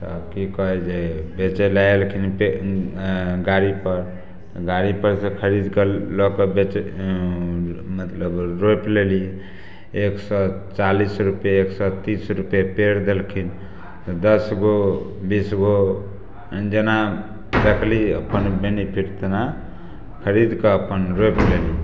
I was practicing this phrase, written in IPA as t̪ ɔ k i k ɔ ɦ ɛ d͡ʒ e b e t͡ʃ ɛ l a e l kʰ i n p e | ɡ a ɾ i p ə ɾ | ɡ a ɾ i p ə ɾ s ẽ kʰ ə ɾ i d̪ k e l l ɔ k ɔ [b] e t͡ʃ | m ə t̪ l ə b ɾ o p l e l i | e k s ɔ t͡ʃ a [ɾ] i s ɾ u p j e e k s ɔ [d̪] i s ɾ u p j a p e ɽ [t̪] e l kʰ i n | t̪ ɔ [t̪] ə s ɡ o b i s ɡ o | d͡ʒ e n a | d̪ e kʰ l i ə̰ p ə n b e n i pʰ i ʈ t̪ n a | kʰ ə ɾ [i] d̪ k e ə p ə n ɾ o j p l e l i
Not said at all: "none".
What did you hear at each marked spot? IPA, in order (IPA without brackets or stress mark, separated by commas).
b, l, t̪, d̪, d̪, i